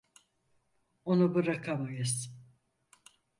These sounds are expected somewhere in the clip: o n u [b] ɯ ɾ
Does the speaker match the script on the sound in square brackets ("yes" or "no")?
yes